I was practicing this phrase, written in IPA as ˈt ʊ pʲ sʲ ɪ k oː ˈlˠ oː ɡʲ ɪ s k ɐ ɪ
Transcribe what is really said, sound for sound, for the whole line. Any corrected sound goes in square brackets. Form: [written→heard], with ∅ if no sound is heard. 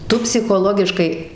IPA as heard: ˈt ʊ pʲ sʲ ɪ [k→x] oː ˈlˠ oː ɡʲ ɪ [s→ʃ] k ɐ ɪ